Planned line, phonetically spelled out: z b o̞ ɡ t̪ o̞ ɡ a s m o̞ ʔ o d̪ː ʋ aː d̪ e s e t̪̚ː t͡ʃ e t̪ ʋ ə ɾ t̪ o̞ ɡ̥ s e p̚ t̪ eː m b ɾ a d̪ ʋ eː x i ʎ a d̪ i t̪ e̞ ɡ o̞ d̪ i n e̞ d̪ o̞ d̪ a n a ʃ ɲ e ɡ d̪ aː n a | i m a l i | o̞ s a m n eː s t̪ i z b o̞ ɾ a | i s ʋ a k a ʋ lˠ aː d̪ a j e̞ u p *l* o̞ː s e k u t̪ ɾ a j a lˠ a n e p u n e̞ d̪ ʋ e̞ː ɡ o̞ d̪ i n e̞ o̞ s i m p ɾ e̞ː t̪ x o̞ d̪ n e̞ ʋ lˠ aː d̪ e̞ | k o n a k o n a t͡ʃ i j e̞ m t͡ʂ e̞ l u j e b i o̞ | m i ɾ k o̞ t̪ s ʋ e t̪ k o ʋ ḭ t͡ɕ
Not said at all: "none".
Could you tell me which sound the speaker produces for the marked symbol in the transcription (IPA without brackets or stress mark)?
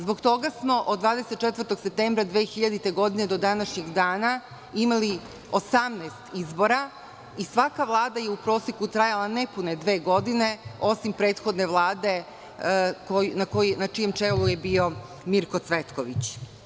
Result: ɾ